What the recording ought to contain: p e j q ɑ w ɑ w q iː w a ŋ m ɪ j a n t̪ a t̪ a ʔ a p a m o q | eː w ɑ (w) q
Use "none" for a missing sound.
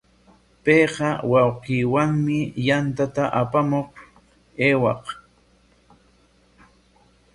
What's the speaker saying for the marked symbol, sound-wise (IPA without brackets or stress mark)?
none